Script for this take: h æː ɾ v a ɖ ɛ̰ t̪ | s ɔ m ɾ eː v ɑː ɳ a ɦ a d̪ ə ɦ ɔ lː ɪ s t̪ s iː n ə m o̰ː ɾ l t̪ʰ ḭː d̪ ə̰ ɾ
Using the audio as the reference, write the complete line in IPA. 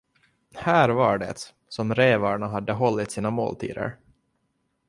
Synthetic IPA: h æː ɾ v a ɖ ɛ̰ t̪ | s ɔ m ɾ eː v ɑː ɳ a ɦ a d̪ː ə ɦ ɔ lː ɪ t̪ s iː n a m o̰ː l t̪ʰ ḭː d̪ ə̰ ɾ